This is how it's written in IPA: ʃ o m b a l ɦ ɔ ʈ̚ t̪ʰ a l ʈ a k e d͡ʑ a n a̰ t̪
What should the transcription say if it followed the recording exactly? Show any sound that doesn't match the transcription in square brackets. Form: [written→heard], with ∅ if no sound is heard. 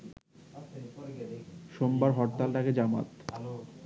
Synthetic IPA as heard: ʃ o m b a [l→ɾ] ɦ ɔ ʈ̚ [t̪ʰ→t̪] a l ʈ a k e d͡ʑ a [n→m] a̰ t̪